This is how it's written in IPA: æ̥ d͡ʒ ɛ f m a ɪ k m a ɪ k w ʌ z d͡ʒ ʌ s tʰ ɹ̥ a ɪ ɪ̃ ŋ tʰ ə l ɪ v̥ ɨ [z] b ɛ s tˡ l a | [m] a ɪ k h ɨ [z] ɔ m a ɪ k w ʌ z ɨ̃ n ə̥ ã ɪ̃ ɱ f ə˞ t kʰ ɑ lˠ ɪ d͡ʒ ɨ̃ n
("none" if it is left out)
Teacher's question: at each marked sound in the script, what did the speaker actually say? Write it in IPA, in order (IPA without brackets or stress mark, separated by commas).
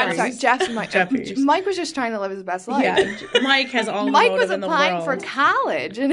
z, m, z